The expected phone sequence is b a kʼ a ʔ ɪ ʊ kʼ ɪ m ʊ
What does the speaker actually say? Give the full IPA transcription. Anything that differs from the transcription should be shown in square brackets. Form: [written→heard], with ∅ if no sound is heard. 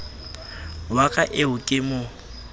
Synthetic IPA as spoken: [b→w] a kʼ a ʔ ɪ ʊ kʼ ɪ m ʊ